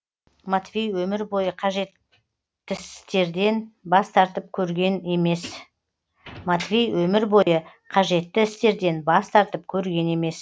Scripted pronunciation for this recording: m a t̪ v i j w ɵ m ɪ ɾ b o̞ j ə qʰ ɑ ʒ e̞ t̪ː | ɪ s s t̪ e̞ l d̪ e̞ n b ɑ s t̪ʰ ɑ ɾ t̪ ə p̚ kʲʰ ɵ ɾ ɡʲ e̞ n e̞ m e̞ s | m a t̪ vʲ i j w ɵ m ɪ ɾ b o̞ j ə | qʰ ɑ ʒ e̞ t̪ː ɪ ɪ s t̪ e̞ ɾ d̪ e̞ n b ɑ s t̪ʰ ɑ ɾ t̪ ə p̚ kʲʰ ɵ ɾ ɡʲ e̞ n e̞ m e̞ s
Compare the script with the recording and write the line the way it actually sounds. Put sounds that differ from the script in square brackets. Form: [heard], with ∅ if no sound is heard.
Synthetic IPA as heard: m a t̪ v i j w ɵ m ɪ ɾ b o̞ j ə qʰ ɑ ʒ e̞ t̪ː | ɪ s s t̪ e̞ [ɾ] d̪ e̞ n b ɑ s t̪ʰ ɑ ɾ t̪ ə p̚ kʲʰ ɵ ɾ ɡʲ e̞ n e̞ m e̞ s | m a t̪ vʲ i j w ɵ m ɪ ɾ b o̞ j ə | qʰ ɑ ʒ e̞ t̪ː ɪ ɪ s t̪ e̞ ɾ d̪ e̞ n b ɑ s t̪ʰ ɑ ɾ t̪ ə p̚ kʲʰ ɵ ɾ ɡʲ e̞ n e̞ m e̞ s